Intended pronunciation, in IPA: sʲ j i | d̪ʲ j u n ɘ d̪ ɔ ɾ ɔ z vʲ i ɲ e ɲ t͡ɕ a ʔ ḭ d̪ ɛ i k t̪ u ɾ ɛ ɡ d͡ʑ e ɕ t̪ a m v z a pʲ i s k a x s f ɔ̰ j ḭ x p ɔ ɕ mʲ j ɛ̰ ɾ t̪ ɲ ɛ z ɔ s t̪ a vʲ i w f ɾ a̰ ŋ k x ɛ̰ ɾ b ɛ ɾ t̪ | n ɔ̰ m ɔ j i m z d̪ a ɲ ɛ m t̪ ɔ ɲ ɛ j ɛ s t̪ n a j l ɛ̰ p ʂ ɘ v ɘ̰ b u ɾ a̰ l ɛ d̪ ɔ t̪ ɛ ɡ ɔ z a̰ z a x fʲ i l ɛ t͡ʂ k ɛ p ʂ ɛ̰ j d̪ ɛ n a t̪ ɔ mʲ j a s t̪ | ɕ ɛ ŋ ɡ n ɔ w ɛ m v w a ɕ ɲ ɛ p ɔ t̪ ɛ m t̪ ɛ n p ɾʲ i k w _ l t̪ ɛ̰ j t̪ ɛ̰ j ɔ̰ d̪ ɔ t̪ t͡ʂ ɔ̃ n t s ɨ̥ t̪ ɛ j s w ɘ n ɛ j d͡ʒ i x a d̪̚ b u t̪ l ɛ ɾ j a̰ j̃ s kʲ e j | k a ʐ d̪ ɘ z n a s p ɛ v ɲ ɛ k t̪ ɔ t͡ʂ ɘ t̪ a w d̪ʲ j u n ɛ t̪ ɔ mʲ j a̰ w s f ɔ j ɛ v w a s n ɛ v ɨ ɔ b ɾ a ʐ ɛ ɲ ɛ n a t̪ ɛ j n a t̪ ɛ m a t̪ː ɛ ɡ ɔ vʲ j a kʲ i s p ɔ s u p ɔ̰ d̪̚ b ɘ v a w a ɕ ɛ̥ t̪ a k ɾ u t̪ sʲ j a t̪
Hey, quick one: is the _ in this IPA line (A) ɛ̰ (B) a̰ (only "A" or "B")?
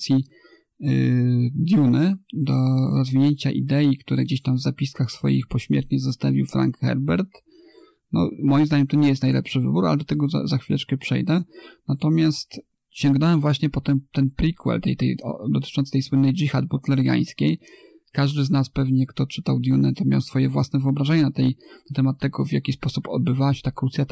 A